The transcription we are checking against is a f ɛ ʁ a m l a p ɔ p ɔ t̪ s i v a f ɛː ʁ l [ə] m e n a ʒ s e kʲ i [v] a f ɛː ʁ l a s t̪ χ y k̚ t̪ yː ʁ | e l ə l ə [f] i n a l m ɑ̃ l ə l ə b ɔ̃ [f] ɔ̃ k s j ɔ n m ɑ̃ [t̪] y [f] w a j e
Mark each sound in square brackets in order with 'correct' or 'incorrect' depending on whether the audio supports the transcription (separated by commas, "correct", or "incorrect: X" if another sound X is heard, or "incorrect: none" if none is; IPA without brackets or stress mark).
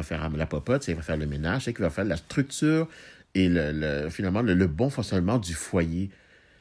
correct, correct, correct, correct, incorrect: d̪, correct